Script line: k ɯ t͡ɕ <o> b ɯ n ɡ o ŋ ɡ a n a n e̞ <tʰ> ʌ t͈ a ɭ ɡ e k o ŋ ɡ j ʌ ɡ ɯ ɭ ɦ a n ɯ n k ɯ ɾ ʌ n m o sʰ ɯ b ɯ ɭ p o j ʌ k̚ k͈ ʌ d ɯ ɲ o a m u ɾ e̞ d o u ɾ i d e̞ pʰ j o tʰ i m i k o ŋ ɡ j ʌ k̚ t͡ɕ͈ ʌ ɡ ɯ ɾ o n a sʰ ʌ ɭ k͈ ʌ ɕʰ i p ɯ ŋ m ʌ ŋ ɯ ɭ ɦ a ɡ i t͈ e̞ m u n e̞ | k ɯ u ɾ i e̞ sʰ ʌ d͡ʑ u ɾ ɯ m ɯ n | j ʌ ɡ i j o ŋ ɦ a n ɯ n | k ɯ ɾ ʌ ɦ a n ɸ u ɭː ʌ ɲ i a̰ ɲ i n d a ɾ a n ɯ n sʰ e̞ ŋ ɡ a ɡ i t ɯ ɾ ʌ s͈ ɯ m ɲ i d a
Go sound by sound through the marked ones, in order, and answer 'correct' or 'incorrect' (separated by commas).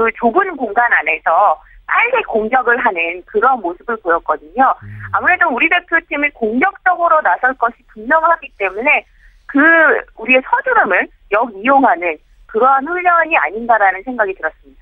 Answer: correct, incorrect